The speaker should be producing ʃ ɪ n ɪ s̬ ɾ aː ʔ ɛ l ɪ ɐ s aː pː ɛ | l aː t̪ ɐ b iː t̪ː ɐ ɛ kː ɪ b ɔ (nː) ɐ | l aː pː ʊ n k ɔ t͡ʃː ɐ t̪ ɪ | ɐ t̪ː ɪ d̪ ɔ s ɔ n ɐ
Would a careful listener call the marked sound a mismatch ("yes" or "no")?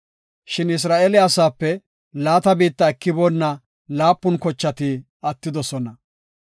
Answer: no